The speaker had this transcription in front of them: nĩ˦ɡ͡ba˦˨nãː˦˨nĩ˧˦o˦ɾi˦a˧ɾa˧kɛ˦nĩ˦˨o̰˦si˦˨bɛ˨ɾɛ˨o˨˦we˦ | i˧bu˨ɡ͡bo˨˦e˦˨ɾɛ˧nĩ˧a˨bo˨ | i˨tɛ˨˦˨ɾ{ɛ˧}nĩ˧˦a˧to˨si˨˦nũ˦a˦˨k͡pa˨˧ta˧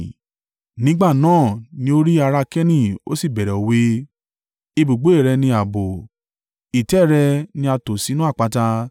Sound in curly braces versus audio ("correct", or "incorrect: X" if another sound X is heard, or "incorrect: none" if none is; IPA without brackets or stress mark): correct